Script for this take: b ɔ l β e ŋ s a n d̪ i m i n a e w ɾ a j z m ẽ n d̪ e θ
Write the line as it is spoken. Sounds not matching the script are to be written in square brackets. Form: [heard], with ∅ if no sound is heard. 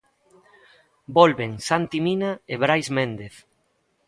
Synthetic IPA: b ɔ l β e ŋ s a n [t̪] i m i n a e [β] ɾ a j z m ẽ n d̪ e θ